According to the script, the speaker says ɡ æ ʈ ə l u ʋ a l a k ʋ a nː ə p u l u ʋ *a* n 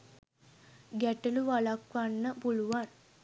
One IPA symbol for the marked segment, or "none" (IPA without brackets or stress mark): a